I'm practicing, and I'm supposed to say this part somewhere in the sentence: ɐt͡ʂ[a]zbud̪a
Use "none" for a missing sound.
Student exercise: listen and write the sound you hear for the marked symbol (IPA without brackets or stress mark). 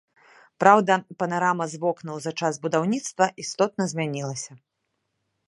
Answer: a